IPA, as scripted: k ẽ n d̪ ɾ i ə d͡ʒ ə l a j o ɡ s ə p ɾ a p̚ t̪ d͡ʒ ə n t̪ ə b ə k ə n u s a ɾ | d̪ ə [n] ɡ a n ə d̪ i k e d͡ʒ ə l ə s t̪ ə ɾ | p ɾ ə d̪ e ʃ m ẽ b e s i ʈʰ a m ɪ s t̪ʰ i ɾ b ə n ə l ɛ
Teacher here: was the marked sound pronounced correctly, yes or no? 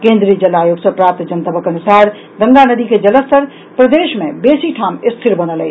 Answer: no